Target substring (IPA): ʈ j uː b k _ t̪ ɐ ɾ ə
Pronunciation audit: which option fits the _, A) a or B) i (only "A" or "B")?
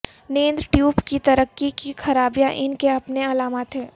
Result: B